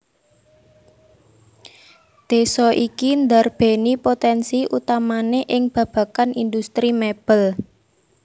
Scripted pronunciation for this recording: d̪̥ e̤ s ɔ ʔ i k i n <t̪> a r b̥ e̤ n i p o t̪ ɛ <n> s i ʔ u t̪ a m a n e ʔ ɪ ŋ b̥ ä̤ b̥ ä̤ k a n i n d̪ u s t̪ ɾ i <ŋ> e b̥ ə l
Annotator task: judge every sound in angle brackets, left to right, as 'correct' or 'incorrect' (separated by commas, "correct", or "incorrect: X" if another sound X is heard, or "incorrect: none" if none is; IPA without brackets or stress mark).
incorrect: d̪, correct, incorrect: m